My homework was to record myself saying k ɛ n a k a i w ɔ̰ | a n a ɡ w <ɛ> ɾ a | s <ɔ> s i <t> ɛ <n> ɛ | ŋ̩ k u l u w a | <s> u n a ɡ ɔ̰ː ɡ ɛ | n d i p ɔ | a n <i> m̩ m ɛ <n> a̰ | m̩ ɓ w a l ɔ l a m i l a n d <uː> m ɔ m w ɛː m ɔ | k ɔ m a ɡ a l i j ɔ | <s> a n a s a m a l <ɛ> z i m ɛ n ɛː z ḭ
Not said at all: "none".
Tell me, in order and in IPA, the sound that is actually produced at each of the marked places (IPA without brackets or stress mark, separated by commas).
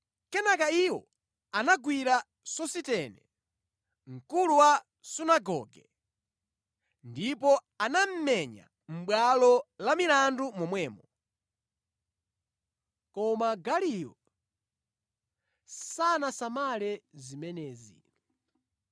i, ɔ, t, n, s, a, ɲ, u, s, ɛ